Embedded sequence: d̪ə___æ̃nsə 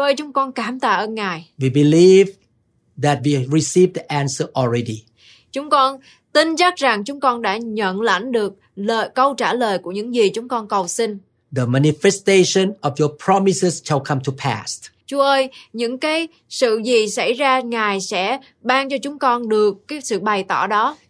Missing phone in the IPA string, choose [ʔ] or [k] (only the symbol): ʔ